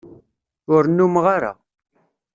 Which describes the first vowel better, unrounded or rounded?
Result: rounded